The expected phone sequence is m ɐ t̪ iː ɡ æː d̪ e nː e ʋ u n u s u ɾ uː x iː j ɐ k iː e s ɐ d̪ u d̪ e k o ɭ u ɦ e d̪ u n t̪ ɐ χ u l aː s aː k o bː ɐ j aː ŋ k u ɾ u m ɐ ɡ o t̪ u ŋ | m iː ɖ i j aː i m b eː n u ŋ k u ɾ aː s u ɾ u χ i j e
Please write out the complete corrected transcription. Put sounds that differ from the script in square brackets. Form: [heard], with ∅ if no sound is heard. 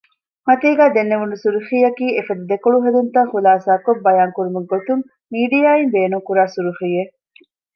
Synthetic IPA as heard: m ɐ t̪ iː ɡ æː d̪ e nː e ʋ u n u s u ɾ [u] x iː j ɐ k iː e [f] ɐ d̪ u d̪ e k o ɭ u ɦ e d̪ u n t̪ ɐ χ u l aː s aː k o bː ɐ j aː ŋ k u ɾ u m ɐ ɡ o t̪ u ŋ | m iː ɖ i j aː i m b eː n u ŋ k u ɾ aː s u ɾ u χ i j e